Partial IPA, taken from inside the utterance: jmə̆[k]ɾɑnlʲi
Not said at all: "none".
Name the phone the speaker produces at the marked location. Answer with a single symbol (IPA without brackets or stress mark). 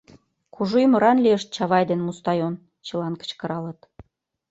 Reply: none